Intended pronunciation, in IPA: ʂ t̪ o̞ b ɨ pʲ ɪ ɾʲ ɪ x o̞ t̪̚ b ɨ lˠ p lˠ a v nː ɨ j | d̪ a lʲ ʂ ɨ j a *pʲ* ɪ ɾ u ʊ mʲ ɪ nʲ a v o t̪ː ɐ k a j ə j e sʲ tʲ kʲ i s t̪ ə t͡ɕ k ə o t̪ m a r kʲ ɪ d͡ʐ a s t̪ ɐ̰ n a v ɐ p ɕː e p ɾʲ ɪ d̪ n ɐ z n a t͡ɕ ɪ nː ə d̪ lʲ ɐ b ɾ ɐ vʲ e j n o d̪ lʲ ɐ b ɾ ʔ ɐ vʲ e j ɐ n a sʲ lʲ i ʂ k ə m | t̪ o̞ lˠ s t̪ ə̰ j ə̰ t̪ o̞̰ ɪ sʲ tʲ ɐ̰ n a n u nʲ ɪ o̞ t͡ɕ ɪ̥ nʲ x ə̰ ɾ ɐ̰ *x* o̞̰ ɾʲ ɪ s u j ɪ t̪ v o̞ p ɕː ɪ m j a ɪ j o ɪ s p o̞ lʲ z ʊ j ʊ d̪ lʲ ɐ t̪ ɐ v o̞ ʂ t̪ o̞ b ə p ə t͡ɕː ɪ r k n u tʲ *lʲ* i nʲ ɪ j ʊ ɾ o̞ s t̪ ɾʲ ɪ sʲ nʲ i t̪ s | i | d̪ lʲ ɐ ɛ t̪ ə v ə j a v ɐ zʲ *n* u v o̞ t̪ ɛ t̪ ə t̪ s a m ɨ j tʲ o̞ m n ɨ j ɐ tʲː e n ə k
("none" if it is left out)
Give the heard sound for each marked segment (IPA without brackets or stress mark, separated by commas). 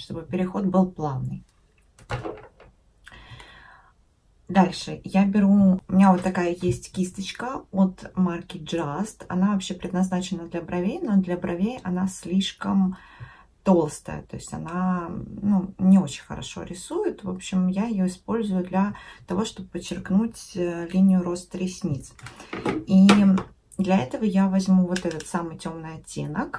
bʲ, ʂ, lʲ, m